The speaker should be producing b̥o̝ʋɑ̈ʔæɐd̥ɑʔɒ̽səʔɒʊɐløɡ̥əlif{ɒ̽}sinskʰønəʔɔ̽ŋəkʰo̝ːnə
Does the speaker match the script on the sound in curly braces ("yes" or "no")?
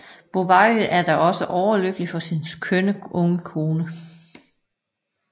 yes